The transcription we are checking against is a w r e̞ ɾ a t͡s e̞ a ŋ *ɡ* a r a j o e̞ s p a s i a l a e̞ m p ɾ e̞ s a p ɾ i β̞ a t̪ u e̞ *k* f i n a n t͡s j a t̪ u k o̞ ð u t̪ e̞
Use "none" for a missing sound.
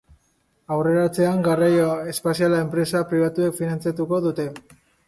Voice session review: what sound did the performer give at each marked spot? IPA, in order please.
ɡ, k

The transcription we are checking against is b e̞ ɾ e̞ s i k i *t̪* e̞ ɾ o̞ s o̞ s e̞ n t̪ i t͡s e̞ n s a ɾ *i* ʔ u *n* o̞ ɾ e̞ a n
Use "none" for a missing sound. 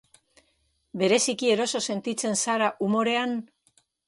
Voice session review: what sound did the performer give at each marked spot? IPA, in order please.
none, a, m

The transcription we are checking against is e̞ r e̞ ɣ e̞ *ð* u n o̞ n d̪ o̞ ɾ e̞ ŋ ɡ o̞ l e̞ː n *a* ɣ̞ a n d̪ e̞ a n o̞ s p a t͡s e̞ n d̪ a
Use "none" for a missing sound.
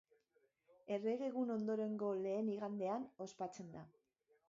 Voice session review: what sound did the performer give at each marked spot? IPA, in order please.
ɣ, i

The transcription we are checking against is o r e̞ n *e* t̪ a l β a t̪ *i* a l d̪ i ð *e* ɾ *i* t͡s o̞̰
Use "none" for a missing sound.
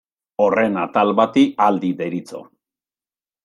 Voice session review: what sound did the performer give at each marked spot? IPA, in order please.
a, i, e, i

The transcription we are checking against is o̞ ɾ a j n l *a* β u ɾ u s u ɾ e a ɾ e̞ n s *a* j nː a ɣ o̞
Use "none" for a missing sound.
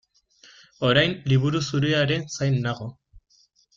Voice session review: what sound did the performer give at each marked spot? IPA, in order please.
i, a

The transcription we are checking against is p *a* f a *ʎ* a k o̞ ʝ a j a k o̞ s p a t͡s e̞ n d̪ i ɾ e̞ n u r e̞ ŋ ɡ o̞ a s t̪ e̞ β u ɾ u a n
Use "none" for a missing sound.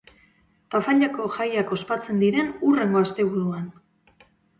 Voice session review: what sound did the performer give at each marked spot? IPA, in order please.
a, ʎ

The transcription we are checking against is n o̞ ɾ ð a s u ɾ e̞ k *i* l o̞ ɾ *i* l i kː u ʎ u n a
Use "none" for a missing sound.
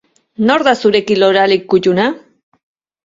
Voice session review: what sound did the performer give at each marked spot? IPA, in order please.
i, a

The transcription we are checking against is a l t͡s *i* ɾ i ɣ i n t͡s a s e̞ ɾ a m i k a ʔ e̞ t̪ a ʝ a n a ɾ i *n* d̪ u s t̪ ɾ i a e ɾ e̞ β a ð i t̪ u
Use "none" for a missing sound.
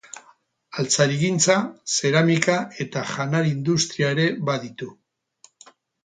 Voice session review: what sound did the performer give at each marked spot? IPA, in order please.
a, n

